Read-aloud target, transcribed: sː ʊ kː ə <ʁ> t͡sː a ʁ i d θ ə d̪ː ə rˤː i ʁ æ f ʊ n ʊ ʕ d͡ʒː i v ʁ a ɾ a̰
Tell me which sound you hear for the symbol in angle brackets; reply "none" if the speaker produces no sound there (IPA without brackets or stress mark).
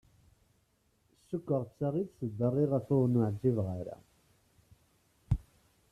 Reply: ʁ